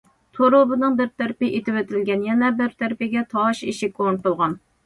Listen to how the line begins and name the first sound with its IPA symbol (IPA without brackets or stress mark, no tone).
t̪ʰ